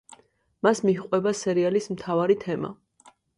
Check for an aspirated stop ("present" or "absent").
present